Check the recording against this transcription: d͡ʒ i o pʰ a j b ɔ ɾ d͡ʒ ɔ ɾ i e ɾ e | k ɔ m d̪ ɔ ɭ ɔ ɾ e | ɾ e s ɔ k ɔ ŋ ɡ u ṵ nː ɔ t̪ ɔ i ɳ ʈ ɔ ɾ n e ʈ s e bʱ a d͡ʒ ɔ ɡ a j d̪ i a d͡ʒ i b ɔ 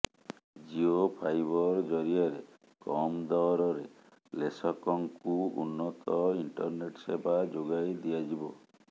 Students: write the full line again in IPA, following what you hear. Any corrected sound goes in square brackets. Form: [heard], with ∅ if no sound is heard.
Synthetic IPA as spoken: d͡ʒ i o pʰ a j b ɔ ɾ d͡ʒ ɔ ɾ i [a] ɾ e | k ɔ m d̪ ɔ [ɾ] ɔ ɾ e | [l] e s ɔ k ɔ ŋ [k] u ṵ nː ɔ t̪ ɔ i ɳ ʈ ɔ ɾ n e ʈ s e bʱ a d͡ʒ [o] ɡ a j d̪ i a d͡ʒ i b ɔ